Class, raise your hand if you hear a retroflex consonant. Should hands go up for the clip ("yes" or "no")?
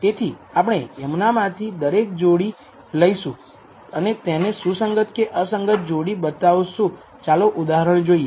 yes